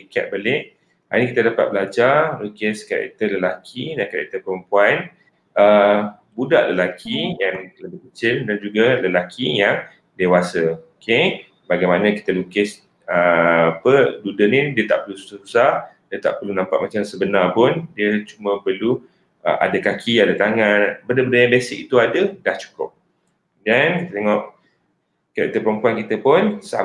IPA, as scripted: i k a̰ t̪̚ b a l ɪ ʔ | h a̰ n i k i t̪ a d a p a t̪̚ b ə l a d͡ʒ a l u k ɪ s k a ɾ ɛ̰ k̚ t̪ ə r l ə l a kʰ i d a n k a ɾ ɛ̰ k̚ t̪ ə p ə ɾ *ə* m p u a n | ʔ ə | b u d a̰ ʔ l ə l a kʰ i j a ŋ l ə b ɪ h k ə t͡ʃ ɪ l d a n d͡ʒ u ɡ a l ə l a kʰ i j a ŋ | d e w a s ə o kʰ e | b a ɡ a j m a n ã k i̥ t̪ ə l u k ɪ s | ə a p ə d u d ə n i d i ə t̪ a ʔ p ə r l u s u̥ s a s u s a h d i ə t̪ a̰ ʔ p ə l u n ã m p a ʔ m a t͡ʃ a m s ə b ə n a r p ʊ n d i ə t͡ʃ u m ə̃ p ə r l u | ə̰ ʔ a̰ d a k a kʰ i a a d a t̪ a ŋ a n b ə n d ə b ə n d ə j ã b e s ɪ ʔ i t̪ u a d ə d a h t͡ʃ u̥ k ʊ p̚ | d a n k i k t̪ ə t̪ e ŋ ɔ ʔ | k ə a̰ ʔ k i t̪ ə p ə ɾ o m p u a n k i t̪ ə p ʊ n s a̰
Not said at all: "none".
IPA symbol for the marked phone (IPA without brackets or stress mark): ə